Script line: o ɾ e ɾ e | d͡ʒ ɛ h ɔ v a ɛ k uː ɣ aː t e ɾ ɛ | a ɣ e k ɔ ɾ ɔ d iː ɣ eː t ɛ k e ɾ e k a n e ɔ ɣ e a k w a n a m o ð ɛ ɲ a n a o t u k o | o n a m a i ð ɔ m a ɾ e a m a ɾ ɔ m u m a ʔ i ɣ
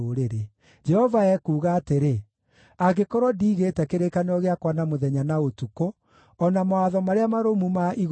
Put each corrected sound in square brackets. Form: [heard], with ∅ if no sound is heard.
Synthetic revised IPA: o ɾ e ɾ e | d͡ʒ ɛ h ɔ v a ɛ k uː ɣ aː t e ɾ [e] | a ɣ e k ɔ ɾ ɔ d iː ɣ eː t ɛ k e ɾ e k a n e ɔ ɣ e a k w a n a m o ð ɛ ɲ a n a o t u k o | [ɔ] n a m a [a] ð ɔ m a ɾ e a m a ɾ [o] m u m a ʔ i ɣ